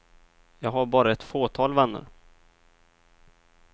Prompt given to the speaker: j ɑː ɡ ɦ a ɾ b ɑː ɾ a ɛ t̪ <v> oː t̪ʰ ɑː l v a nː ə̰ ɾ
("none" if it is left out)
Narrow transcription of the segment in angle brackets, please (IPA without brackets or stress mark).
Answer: f